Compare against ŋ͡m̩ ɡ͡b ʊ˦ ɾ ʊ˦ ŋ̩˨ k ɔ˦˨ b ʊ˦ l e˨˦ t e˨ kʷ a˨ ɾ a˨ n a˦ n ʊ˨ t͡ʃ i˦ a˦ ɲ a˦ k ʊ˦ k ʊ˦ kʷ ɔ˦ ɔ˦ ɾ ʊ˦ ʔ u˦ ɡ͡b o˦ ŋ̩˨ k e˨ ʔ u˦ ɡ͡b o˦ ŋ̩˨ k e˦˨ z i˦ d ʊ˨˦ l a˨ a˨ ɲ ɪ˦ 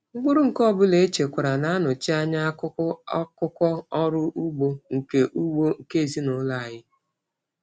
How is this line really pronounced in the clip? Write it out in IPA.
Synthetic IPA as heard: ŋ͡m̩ ɡ͡b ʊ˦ ɾ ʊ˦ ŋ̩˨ k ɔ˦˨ b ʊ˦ l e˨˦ t͡ʃ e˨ kʷ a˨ ɾ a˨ n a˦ n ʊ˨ t͡ʃ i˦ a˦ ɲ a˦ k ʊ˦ k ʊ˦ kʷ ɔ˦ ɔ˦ ɾ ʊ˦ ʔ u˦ ɡ͡b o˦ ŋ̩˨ k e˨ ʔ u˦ ɡ͡b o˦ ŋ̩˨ k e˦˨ z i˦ n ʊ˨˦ l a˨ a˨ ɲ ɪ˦